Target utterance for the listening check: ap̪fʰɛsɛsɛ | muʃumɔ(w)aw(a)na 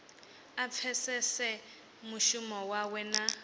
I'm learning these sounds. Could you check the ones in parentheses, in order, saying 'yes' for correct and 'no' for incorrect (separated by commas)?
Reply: yes, no